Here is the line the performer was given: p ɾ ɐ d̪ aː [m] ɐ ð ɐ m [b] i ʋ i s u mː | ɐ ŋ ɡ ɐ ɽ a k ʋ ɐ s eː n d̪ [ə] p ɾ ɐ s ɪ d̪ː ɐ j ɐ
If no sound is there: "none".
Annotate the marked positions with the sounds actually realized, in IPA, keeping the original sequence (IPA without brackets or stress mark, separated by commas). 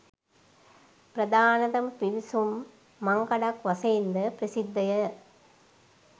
n, p, ɐ